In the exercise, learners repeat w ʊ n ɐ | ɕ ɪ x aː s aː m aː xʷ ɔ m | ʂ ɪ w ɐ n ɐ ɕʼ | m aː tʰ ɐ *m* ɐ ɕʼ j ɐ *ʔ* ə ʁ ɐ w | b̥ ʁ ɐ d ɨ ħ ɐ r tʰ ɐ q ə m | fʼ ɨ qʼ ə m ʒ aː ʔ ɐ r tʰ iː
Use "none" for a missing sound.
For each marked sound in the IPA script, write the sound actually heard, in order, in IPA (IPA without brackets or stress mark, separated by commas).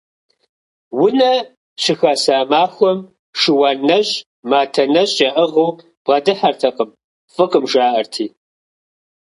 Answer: n, ʔ